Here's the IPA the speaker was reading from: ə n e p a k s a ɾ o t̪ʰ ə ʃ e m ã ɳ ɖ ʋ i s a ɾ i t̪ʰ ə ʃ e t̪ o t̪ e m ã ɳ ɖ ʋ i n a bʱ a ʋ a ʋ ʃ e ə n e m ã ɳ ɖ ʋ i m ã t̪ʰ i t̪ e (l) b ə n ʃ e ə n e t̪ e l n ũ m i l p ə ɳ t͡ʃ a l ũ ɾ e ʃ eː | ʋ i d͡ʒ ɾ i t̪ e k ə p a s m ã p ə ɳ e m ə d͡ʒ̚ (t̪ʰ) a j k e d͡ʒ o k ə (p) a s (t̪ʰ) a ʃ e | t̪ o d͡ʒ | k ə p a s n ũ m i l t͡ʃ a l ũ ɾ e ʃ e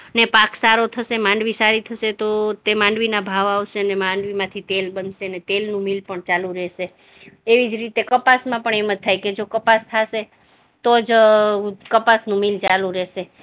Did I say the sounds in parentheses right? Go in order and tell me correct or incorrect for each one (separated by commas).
correct, correct, correct, correct